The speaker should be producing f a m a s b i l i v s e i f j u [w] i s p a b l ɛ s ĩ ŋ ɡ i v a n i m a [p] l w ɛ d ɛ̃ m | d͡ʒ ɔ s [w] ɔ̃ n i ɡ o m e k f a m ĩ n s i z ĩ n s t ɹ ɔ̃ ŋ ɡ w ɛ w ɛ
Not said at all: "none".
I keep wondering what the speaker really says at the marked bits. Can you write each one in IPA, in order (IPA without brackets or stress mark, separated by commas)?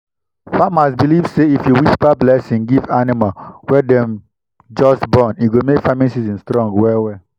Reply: w, none, b